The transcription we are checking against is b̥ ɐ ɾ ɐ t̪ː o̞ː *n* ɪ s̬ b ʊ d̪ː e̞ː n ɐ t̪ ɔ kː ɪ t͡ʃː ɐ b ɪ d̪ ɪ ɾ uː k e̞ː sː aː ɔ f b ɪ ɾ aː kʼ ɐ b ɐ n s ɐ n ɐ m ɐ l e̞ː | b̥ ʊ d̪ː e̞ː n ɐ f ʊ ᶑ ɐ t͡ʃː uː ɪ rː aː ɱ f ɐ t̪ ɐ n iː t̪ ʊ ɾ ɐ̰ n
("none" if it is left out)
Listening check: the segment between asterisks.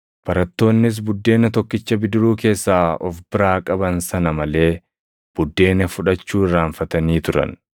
nː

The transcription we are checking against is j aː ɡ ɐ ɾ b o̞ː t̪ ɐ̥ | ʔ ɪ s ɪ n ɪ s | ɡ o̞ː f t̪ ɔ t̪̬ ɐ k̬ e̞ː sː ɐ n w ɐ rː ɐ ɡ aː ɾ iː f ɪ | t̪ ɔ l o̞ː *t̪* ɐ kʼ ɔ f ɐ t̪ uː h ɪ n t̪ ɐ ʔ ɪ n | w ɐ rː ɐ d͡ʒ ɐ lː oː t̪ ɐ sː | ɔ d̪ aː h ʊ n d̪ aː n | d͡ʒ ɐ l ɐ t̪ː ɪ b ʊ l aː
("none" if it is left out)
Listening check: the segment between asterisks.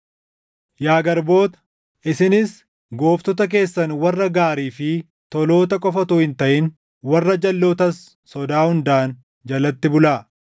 t̪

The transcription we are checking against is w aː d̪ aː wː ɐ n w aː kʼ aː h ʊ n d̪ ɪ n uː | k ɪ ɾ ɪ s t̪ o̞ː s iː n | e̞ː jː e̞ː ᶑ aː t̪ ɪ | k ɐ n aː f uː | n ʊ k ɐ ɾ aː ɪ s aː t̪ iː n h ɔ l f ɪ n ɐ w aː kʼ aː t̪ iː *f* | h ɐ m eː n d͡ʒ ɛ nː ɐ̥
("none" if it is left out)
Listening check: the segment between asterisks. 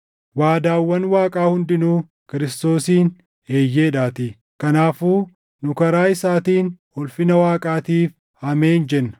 f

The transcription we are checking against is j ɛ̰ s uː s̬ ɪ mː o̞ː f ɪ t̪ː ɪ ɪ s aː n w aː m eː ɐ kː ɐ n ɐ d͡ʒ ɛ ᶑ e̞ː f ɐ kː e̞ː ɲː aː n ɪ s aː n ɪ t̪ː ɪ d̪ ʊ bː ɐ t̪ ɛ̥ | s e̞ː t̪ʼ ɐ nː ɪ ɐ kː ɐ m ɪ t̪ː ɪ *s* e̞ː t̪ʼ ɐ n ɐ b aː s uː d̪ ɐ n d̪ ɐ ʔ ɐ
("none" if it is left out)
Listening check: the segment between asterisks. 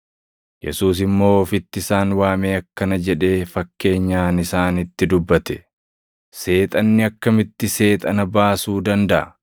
s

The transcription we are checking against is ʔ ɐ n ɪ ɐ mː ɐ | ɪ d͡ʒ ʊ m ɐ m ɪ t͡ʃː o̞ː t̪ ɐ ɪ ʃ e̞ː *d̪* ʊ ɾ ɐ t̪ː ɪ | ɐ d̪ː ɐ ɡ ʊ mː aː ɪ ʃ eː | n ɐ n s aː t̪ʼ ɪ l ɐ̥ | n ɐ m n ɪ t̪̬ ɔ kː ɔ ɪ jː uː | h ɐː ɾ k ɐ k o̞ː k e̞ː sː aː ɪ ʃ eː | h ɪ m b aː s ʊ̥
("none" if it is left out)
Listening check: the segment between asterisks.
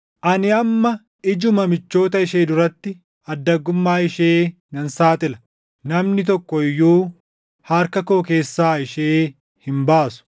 d̪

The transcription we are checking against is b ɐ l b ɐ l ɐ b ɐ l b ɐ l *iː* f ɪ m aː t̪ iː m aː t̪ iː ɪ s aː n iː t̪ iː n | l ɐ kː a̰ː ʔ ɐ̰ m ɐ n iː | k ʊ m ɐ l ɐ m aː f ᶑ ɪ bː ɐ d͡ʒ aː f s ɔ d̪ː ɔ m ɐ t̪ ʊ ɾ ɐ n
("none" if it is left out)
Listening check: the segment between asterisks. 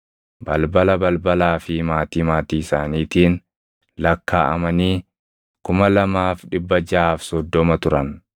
aː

